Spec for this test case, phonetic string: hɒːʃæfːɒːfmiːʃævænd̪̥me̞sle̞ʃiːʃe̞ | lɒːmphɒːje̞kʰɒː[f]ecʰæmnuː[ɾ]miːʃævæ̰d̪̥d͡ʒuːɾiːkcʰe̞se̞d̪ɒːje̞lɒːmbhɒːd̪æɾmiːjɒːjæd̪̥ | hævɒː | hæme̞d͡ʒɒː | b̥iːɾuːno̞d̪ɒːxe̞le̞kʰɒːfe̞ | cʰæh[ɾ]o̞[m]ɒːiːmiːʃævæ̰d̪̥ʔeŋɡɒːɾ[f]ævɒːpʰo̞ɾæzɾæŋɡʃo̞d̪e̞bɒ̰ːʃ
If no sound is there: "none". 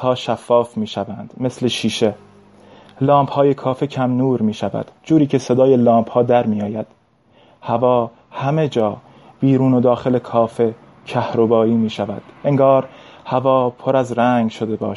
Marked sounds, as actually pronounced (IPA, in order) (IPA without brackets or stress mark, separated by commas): f, ɾ, ɾ, b, h